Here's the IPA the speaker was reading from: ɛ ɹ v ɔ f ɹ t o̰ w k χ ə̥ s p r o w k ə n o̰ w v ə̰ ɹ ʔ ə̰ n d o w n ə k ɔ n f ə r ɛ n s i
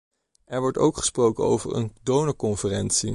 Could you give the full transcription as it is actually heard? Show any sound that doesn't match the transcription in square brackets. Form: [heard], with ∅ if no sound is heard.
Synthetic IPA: ɛ ɹ [ʋ] ɔ [∅] ɹ t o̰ w k χ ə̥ s p r o w k ə n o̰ w v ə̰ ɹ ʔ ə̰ n d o w n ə k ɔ n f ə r ɛ n s i